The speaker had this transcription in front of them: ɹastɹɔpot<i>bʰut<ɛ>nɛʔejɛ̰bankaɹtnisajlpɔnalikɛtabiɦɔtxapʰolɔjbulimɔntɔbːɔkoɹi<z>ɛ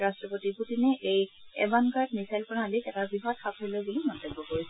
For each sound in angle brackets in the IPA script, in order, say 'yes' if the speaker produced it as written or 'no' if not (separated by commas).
yes, no, no